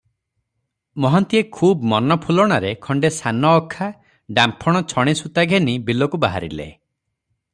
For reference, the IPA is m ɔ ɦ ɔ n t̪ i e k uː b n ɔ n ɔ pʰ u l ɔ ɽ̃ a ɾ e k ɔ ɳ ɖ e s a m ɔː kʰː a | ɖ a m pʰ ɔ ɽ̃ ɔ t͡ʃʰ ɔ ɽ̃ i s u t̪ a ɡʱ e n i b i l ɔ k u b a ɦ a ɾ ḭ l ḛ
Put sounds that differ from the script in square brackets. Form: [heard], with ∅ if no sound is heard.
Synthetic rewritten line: m ɔ ɦ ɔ n t̪ i e [kʰ] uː b [m] ɔ n ɔ pʰ u l ɔ ɽ̃ a ɾ e [kʰ] ɔ ɳ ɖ e s a [n] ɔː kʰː a | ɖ a m pʰ ɔ ɽ̃ ɔ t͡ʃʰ ɔ ɽ̃ i s u t̪ a ɡʱ e n i b i l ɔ k u b a ɦ a ɾ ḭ l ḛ